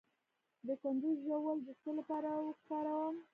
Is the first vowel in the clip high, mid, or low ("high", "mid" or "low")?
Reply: mid